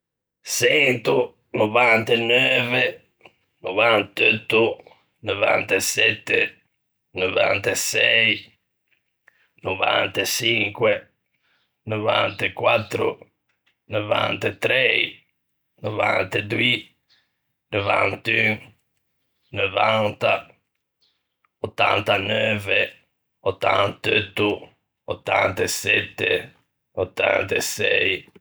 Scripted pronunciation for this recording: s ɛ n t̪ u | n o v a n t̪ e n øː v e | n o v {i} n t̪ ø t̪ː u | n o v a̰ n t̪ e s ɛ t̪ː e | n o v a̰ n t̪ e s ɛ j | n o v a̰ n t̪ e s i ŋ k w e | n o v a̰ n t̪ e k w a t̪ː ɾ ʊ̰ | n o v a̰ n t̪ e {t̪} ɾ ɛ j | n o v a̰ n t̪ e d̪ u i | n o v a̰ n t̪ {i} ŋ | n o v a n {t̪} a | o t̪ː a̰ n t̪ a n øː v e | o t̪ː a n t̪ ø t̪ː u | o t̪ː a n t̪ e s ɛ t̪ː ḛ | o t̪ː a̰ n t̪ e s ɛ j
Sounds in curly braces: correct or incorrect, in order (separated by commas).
incorrect, correct, incorrect, correct